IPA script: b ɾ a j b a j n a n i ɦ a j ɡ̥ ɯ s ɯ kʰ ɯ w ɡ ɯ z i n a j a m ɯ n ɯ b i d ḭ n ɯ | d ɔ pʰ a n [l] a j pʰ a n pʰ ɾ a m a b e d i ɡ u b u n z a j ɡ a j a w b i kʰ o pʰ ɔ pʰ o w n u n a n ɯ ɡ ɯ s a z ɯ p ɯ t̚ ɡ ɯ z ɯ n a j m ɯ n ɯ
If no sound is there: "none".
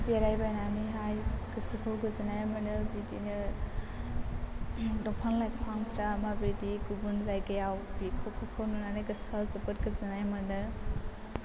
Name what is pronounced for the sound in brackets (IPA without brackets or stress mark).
l